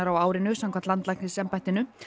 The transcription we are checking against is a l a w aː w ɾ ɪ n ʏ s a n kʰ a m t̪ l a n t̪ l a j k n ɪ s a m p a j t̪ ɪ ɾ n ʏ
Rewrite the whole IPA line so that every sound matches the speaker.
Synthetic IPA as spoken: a ɾ a w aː w ɾ ɪ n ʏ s a m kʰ a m t̪ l a n t̪ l a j k n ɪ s ɛ m p a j t̪ ɪ n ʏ